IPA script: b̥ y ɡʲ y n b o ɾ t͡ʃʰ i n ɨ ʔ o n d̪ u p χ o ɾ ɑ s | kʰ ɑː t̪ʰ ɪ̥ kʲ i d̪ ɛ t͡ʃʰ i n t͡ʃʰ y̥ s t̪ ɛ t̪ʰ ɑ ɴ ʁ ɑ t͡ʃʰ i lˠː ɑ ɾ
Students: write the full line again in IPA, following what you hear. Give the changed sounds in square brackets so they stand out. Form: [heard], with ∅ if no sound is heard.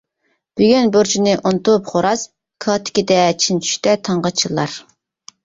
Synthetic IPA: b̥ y ɡʲ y n b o ɾ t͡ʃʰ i n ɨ ʔ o n [t̪] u p χ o ɾ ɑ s | kʰ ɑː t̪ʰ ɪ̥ kʲ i d̪ ɛ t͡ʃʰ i n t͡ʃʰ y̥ [ʃ] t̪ ɛ t̪ʰ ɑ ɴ ʁ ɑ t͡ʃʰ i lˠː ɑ ɾ